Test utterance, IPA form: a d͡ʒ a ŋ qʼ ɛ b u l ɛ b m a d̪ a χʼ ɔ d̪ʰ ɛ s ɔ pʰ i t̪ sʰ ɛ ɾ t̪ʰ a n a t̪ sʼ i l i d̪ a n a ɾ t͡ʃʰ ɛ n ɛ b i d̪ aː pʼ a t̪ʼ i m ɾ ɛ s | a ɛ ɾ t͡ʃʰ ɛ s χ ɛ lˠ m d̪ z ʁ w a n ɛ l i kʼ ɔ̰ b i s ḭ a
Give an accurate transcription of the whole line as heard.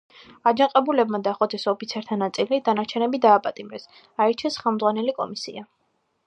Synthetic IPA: a d͡ʒ a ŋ qʼ ɛ b u l ɛ b m a d̪ a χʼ ɔ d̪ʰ ɛ s ɔ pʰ i t̪ sʰ ɛ ɾ t̪ʰ a n a t̪ sʼ i l i d̪ a n a ɾ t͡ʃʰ ɛ n ɛ b i d̪ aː pʼ a t̪ʼ i m ɾ ɛ s | a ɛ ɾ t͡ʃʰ ɛ s χ ɛ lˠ m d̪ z ʁ w a n ɛ l i kʼ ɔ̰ m i s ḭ a